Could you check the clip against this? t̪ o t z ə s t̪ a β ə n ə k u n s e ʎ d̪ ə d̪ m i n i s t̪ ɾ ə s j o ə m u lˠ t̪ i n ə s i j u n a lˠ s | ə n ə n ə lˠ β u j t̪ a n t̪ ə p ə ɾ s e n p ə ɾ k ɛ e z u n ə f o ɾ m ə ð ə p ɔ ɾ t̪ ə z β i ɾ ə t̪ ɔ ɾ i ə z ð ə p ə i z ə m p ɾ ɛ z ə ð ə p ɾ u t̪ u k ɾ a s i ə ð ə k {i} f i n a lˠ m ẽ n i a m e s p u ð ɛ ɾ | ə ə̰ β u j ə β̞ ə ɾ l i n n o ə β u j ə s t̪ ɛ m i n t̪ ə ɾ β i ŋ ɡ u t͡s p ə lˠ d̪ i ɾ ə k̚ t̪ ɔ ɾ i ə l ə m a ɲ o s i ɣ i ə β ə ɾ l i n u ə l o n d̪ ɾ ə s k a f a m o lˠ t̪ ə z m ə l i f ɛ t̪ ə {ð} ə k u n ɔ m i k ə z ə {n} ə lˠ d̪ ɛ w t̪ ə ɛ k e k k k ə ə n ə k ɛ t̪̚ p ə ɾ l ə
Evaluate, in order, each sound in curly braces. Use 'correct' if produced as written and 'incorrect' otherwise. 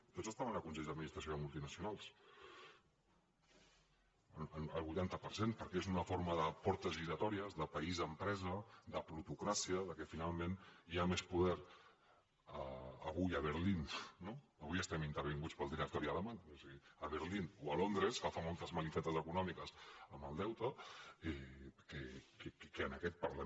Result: incorrect, incorrect, incorrect

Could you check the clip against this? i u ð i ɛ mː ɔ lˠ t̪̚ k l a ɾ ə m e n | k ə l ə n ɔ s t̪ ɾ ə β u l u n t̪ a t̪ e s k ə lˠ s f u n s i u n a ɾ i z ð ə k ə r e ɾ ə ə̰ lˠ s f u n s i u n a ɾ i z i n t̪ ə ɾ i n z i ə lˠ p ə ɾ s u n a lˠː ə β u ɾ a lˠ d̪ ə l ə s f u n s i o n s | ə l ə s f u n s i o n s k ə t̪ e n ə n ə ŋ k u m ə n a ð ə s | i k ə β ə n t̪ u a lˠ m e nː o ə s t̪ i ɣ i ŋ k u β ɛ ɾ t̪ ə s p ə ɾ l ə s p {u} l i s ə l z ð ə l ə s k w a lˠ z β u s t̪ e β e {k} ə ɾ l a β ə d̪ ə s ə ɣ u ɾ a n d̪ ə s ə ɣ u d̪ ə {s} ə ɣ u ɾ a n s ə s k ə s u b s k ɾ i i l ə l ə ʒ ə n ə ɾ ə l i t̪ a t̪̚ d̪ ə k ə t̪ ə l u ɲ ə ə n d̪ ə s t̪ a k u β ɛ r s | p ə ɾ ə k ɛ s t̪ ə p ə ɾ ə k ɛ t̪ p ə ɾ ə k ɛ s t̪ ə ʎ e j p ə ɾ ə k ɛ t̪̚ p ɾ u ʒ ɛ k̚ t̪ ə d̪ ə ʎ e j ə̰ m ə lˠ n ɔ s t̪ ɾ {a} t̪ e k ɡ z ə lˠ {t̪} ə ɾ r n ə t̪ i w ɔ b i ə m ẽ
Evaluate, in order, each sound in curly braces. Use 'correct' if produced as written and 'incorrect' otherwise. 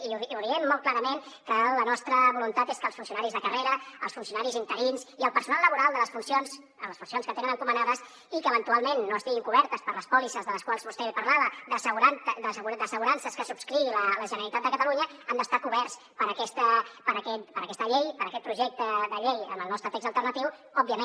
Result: incorrect, incorrect, correct, incorrect, correct

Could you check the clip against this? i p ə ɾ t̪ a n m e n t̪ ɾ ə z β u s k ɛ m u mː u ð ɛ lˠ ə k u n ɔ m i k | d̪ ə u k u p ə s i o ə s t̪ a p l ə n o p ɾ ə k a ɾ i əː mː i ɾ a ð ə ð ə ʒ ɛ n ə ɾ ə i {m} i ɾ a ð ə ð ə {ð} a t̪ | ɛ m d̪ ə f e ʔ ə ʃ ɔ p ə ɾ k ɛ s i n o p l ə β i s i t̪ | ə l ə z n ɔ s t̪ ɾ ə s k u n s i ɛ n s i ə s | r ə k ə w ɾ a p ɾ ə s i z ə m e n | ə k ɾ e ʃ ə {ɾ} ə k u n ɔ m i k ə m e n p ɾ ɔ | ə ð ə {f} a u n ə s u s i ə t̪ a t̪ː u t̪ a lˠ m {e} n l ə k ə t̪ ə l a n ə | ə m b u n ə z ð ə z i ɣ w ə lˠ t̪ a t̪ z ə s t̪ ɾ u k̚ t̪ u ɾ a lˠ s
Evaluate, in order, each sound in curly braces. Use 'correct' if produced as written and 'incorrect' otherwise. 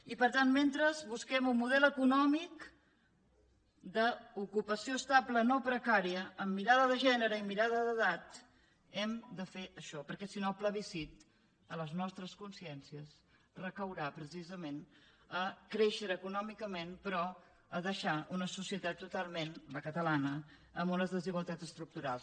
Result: correct, correct, correct, incorrect, correct

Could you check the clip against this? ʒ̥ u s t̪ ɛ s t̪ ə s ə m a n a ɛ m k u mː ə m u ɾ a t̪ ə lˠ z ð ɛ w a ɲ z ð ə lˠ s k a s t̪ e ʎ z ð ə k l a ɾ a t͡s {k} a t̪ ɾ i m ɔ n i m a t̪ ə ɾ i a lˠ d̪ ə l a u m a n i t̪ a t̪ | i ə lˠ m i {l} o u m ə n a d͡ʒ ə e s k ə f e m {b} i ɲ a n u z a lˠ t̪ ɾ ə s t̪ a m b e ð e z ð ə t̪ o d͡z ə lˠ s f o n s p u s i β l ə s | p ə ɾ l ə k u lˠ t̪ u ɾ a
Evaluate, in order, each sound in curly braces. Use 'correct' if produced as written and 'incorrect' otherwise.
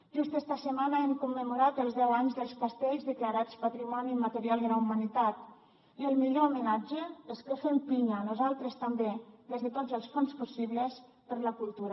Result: incorrect, incorrect, incorrect

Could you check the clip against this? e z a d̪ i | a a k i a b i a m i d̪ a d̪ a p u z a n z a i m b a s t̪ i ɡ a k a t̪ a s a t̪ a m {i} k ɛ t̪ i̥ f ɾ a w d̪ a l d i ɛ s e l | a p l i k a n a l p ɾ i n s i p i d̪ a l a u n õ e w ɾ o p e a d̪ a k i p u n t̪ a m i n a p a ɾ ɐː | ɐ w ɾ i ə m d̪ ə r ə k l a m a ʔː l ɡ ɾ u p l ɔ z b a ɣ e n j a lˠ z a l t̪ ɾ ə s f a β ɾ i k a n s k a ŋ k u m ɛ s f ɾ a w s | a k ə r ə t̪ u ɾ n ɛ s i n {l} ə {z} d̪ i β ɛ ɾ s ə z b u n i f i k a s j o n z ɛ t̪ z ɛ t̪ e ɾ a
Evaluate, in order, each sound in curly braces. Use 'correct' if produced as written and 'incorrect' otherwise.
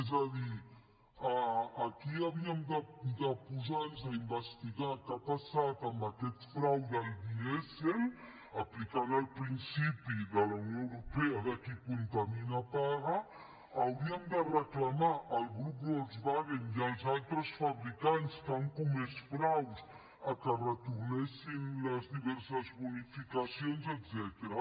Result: incorrect, correct, correct

